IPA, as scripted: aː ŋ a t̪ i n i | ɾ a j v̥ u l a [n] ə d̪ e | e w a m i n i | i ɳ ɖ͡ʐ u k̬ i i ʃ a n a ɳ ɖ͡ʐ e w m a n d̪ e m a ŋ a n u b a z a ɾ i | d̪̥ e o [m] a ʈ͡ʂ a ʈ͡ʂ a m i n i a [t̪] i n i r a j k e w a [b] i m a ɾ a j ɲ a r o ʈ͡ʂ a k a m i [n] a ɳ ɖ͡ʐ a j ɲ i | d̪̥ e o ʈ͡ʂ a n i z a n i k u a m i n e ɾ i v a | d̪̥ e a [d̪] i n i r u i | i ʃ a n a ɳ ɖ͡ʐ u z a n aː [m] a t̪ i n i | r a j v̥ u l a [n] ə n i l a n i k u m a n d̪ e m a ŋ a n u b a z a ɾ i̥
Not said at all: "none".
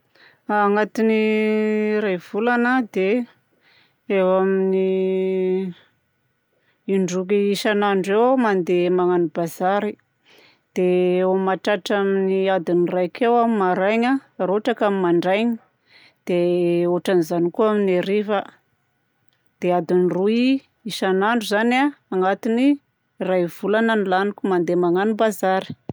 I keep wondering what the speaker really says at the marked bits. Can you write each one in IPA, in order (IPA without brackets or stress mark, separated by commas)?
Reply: n, m, d̪, m, m, d̪, ŋ, n